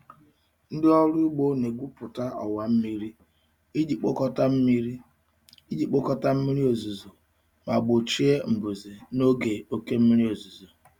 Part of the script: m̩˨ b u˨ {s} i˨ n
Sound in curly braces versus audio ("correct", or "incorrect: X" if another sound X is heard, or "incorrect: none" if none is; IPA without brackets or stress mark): incorrect: z